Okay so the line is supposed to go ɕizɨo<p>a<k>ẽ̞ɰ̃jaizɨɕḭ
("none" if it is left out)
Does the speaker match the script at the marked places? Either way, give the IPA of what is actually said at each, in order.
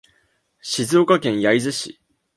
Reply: k, k

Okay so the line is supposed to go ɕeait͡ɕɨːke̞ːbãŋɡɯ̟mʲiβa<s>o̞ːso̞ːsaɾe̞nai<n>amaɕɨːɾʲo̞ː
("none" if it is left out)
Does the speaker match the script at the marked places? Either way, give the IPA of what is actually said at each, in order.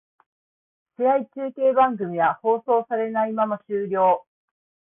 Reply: h, m

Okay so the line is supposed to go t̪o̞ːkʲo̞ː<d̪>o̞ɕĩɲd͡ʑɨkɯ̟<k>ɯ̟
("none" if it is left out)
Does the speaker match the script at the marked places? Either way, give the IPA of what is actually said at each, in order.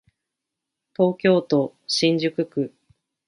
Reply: t̪, k

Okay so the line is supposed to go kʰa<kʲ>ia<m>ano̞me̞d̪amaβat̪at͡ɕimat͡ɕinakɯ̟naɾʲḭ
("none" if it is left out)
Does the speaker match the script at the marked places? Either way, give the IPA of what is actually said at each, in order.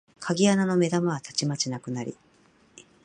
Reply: ɡʲ, n

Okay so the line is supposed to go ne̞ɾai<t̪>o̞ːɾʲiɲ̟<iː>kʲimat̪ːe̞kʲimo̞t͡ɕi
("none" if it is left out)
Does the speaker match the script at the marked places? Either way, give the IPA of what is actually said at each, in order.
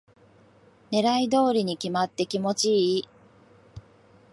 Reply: d̪, i

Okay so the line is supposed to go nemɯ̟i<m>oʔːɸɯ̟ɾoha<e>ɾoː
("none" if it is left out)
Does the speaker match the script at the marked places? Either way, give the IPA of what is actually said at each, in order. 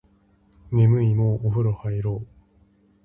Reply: m, i

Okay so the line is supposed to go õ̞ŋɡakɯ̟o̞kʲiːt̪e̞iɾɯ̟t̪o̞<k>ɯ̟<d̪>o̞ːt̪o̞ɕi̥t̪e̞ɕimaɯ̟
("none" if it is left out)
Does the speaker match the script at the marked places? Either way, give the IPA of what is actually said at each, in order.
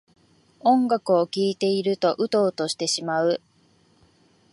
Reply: ʔ, t̪

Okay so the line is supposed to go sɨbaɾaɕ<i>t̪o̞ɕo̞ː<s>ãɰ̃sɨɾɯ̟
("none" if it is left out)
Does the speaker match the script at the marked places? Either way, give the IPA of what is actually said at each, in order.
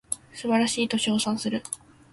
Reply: iː, s

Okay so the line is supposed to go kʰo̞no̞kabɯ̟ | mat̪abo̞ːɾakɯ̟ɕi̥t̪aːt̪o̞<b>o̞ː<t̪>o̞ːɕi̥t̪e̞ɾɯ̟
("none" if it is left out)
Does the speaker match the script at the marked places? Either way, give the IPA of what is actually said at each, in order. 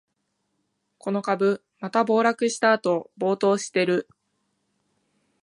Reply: b, t̪

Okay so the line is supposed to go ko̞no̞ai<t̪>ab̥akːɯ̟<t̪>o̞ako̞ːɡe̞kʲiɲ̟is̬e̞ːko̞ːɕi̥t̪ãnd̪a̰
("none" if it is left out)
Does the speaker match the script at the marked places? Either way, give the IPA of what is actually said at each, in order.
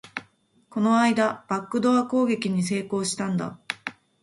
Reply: d̪, d̪

